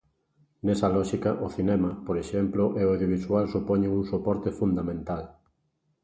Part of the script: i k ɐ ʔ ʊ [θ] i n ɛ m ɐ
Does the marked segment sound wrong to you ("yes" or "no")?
no